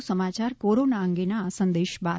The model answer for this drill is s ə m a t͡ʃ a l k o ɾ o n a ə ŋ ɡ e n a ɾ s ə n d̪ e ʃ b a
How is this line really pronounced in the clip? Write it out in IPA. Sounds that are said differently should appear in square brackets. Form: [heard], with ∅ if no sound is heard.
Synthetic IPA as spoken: s ə m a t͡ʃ a [ɾ] k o ɾ o n a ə ŋ ɡ e n a [∅] s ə n d̪ e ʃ b a